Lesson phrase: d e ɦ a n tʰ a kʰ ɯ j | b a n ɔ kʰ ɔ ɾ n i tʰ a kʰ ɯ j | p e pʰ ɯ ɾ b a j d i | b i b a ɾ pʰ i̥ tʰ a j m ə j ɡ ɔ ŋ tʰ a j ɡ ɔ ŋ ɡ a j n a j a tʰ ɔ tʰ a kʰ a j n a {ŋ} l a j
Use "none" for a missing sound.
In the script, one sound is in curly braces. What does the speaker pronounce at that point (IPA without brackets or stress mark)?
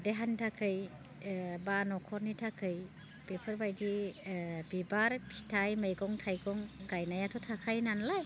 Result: n